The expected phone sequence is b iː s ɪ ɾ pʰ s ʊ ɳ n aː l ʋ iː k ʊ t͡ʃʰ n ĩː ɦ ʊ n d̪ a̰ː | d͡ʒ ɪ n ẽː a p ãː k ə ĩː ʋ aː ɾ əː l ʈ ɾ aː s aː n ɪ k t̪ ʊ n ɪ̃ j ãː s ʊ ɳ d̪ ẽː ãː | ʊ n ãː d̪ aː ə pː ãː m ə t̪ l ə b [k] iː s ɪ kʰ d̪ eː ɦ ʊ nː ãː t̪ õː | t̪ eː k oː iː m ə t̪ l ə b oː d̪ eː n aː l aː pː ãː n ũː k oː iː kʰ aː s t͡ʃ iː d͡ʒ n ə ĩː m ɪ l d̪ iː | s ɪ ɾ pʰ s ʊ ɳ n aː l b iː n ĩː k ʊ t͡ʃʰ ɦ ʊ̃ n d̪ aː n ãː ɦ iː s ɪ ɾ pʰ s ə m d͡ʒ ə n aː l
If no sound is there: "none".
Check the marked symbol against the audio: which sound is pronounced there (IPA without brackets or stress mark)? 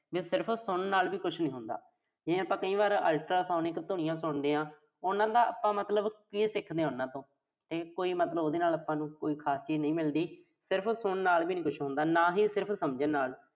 k